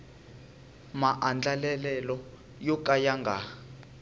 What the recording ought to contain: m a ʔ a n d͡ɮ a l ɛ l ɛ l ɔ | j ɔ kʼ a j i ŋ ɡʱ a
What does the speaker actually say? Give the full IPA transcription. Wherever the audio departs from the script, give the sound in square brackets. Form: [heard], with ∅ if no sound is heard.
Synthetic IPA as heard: m a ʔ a n d͡ɮ a l ɛ l ɛ l ɔ | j ɔ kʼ a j [a] ŋ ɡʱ a